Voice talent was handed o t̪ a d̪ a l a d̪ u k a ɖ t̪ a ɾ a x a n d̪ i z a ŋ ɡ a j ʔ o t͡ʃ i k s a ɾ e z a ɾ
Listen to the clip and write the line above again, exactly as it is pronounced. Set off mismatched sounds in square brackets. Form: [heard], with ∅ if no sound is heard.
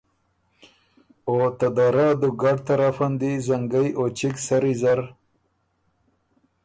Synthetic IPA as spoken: o t̪ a d̪ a [ɾ] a d̪ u [ɡ] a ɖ t̪ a ɾ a [f] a n d̪ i z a ŋ ɡ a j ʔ o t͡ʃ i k s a ɾ [i] z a ɾ